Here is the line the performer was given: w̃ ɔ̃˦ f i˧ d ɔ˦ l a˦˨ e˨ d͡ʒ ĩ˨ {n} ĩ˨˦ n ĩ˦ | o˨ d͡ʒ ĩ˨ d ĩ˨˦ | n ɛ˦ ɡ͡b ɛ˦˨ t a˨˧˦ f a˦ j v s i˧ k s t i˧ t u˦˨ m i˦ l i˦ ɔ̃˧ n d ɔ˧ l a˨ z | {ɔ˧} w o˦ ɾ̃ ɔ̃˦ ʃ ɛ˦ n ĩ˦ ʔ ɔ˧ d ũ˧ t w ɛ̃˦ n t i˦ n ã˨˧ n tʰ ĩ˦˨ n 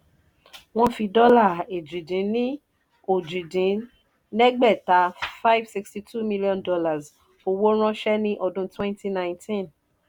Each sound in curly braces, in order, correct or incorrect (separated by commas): incorrect, incorrect